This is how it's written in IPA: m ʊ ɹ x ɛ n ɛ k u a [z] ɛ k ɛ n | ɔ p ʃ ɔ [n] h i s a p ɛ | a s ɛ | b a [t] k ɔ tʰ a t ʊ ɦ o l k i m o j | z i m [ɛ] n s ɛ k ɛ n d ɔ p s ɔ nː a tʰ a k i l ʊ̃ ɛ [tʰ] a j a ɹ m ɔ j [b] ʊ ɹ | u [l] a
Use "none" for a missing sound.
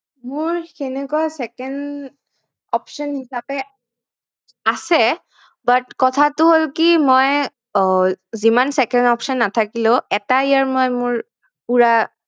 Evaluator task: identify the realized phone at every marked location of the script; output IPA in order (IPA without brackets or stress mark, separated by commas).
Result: s, n, t, a, t, m, ɹ